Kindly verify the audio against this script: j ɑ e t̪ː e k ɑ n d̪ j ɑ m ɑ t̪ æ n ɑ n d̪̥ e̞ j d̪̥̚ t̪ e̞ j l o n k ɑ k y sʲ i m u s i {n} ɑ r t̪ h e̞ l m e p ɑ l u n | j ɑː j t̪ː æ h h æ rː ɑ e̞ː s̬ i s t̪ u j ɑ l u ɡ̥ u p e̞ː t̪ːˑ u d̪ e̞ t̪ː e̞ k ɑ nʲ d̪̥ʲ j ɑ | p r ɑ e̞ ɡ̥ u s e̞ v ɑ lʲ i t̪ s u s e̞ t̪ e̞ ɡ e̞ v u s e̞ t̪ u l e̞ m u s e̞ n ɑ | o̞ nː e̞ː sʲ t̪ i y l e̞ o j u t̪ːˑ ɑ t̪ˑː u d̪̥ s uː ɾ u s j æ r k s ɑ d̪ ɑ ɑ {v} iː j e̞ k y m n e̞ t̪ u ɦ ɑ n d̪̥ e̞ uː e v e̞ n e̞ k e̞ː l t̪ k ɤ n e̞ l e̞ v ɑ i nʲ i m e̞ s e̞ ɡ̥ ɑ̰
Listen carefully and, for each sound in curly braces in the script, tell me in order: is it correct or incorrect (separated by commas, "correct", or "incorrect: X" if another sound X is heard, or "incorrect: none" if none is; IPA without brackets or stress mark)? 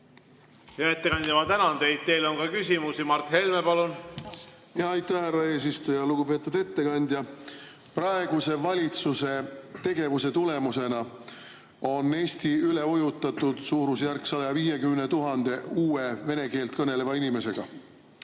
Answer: incorrect: m, correct